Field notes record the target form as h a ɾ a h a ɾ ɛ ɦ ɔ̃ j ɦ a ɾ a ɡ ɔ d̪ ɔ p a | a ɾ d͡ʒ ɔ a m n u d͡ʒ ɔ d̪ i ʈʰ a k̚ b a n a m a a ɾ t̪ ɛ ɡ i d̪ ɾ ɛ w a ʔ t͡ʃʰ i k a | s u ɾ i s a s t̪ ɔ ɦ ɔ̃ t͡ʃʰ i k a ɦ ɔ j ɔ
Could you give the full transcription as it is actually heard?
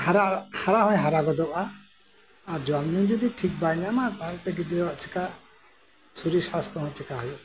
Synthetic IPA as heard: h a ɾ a h a ɾ a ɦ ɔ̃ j ɦ a ɾ a ɡ ɔ d̪ ɔ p a | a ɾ d͡ʒ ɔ a m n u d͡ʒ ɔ d̪ i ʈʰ i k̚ b a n a m a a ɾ t̪ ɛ ɡ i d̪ ɾ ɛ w a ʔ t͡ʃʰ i k a | s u ɾ i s a s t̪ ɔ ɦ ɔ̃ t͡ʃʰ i k a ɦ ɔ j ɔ